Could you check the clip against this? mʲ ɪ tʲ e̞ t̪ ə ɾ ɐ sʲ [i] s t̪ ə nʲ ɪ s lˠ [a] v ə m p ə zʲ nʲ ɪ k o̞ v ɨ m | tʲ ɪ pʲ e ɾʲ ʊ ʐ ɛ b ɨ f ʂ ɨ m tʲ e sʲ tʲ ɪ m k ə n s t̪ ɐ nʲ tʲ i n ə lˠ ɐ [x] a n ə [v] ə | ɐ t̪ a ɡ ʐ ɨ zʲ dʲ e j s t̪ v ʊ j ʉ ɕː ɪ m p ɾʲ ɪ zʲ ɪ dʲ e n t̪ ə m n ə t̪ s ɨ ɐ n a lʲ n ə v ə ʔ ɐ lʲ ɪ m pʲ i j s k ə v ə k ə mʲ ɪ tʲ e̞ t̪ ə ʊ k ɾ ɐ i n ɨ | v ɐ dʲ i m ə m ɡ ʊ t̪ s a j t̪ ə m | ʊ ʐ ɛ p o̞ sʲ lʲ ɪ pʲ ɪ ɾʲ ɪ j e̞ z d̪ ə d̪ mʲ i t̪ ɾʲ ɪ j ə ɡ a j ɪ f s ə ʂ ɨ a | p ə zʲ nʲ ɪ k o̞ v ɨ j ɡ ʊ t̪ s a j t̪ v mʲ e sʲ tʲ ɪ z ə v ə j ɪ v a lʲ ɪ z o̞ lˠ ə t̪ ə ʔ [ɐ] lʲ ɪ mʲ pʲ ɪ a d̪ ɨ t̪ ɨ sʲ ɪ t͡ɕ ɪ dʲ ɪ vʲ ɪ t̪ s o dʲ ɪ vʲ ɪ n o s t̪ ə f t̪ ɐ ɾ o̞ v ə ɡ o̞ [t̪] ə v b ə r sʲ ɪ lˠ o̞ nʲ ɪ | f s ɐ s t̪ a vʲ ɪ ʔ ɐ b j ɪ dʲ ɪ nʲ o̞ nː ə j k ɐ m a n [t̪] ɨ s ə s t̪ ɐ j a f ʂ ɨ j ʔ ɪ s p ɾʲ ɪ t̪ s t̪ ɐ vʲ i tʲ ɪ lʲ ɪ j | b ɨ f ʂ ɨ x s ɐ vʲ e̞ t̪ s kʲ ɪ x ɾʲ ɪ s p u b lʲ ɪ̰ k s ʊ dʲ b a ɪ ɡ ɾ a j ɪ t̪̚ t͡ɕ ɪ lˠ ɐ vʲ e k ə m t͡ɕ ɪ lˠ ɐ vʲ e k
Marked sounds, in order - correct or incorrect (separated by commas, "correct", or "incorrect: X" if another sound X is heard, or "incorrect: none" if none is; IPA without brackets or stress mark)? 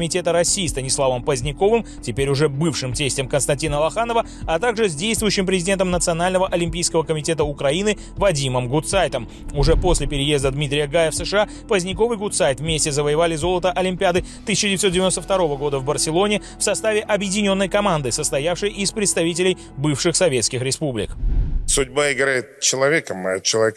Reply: incorrect: iː, correct, correct, correct, correct, incorrect: d̪, incorrect: d̪